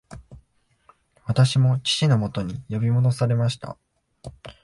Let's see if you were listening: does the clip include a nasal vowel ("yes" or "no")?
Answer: no